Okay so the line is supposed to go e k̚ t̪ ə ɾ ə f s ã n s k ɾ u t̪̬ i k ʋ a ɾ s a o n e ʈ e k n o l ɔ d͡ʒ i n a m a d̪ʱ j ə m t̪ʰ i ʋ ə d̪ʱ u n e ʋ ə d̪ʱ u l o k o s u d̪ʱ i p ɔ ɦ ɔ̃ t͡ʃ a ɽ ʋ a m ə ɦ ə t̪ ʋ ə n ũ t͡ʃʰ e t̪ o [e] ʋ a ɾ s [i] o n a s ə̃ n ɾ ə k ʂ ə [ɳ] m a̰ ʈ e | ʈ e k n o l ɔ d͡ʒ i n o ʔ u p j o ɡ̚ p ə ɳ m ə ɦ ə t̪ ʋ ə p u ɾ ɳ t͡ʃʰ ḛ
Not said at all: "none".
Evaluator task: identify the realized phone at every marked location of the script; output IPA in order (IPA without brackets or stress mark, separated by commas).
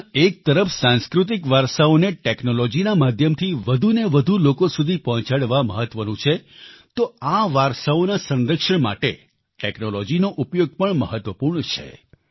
a, a, ɳ